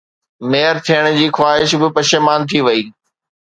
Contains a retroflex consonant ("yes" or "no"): yes